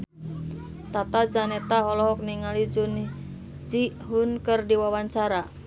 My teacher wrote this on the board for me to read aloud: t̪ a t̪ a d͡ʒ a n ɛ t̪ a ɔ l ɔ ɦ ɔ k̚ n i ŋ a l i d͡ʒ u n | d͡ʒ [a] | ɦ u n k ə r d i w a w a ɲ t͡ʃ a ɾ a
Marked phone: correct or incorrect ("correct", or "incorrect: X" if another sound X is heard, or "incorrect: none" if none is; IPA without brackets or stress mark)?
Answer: incorrect: i